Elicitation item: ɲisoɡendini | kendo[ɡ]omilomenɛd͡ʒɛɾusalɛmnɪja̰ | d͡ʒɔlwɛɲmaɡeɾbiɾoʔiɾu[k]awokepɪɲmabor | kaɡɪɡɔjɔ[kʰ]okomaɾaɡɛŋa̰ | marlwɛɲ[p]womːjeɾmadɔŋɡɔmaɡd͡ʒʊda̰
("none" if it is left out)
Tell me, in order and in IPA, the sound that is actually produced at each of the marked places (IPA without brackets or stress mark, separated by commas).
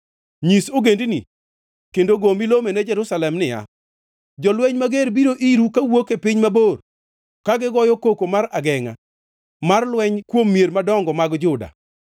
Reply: ɡ, k, k, k